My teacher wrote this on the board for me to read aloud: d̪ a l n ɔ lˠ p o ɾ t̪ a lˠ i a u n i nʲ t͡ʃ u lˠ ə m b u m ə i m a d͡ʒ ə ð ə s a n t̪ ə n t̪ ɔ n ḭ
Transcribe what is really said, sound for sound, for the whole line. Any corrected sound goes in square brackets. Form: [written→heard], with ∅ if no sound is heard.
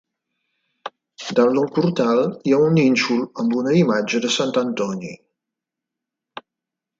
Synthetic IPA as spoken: d̪ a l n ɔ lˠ p [o→u] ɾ t̪ a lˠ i a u n i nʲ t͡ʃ u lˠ ə m b u [m→n] ə i m a d͡ʒ ə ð ə s a n t̪ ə n t̪ ɔ n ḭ